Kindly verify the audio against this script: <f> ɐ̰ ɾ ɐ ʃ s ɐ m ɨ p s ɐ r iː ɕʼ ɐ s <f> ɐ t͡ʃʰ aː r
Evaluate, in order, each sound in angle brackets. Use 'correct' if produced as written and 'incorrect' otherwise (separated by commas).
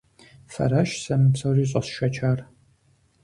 correct, incorrect